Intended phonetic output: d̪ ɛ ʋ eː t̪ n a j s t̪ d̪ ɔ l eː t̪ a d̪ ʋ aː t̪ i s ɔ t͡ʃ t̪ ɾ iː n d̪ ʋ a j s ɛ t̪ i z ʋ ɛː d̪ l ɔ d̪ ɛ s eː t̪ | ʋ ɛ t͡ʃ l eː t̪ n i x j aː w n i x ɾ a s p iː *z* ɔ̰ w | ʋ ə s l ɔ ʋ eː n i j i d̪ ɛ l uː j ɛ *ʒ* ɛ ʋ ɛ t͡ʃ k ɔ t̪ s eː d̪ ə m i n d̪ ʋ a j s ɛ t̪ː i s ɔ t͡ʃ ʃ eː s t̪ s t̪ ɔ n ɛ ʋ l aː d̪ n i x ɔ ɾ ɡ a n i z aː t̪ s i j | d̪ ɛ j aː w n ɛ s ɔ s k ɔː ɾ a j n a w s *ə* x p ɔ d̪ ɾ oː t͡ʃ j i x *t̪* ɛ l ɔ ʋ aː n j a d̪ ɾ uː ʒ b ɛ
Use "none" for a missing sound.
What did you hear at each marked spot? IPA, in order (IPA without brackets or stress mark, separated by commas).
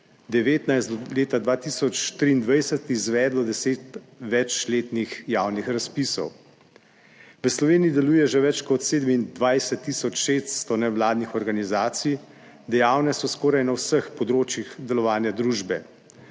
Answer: s, ʒ, ə, d̪